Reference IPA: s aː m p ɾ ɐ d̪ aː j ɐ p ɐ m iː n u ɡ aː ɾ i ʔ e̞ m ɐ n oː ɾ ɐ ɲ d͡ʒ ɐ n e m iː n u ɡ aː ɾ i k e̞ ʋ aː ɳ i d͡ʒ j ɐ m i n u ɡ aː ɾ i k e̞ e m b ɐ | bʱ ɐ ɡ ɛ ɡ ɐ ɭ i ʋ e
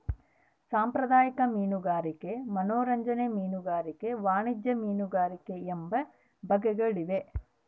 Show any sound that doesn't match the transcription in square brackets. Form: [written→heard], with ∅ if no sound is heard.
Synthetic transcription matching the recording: s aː m p ɾ ɐ d̪ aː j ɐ [p→k] ɐ m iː n u ɡ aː ɾ i [ʔ→k] e̞ m ɐ n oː ɾ ɐ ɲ d͡ʒ ɐ n e m iː n u ɡ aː ɾ i k e̞ ʋ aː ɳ i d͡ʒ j ɐ m [i→iː] n u ɡ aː ɾ i k e̞ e m b ɐ | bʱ ɐ ɡ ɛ ɡ ɐ ɭ i ʋ e